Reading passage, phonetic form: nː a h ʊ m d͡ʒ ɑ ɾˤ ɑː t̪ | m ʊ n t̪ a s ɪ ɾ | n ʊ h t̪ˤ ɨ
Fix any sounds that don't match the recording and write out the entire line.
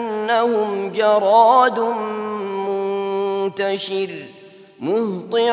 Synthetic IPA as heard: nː a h ʊ m d͡ʒ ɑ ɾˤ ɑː d̪ | m ʊ n t̪ a ʃ ɪ ɾ | m ʊ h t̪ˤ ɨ